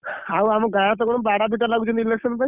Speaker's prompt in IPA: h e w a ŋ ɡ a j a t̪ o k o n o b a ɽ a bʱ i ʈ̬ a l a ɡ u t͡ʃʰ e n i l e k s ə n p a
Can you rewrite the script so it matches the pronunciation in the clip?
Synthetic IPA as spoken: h a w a m ɡ a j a t̪ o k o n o b a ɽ a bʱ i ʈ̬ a l a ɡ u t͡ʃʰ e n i l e k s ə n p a